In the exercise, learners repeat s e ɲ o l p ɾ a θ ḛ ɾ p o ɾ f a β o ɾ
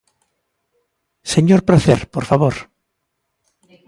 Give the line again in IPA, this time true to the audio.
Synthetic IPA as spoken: s e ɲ o ɾ p ɾ a θ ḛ ɾ p o ɾ f a β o ɾ